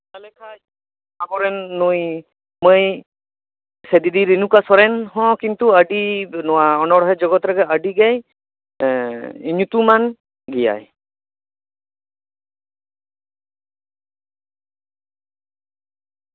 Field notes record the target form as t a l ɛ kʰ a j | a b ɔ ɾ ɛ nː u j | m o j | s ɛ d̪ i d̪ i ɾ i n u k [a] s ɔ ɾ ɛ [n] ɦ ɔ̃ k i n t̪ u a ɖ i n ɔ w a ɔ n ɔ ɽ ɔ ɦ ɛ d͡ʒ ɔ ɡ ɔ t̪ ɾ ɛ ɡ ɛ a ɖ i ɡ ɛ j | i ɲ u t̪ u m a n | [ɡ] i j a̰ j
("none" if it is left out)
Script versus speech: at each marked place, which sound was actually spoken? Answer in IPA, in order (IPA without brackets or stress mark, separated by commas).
a, n, ɡ